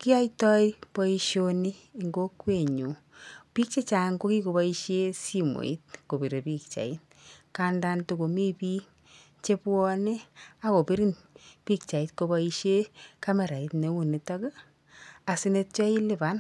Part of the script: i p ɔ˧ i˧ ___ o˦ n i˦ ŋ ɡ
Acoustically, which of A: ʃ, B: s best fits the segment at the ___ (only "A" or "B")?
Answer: A